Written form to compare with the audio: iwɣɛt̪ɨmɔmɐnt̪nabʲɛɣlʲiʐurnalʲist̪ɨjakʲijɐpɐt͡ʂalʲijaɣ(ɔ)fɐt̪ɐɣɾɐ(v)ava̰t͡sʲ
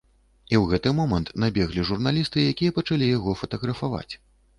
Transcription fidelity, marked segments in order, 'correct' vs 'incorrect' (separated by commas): correct, incorrect